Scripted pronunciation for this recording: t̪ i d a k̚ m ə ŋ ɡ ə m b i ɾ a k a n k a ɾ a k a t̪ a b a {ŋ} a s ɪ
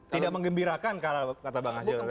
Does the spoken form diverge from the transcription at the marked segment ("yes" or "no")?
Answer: no